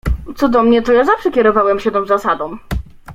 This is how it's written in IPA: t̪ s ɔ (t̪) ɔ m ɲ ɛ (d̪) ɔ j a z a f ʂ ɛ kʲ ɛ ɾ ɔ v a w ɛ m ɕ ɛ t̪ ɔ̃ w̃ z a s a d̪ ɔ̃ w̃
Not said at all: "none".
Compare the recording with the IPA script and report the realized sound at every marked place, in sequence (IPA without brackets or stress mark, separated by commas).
d̪, t̪